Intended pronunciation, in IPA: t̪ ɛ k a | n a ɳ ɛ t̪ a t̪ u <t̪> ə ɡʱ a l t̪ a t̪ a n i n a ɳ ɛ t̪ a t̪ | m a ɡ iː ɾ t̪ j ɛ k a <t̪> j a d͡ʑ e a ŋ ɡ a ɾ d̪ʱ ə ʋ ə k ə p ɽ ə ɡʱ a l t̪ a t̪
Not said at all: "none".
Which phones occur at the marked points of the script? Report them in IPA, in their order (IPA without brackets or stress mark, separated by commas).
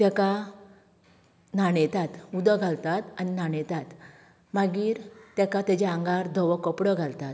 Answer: d̪, t̪